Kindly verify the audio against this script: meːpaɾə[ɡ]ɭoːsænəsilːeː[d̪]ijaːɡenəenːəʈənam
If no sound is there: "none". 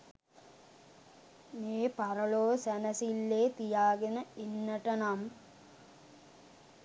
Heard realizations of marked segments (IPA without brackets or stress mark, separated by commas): none, t̪